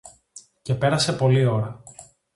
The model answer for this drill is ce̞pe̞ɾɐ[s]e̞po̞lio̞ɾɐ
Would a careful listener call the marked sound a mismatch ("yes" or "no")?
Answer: no